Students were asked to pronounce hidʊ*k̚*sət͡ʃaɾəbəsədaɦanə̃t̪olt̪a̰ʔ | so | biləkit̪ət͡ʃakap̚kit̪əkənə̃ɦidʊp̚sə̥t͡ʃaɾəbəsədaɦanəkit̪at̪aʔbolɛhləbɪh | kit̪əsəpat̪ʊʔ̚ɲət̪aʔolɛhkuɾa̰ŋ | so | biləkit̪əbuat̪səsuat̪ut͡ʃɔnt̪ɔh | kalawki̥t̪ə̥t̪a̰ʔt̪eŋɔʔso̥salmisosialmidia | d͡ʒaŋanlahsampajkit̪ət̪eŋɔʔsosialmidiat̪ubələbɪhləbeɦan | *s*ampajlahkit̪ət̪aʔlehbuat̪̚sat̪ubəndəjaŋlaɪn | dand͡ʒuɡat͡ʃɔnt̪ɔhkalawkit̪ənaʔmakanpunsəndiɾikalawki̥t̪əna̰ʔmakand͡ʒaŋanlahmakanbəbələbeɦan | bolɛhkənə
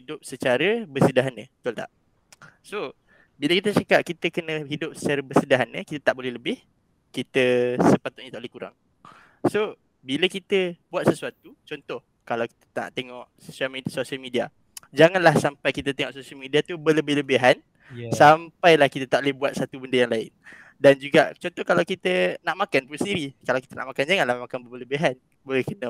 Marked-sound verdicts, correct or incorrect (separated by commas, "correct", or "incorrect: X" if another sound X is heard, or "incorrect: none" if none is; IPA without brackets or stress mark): incorrect: p̚, correct